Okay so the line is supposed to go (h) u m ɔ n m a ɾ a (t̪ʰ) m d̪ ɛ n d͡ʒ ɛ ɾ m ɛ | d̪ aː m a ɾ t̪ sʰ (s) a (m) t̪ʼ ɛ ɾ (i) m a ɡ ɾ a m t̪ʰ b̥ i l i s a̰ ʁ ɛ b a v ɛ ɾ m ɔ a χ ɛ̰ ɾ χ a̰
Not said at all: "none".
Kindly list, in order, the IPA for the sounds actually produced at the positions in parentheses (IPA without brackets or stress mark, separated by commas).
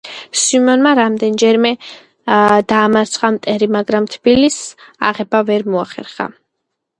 s, none, χ, m, i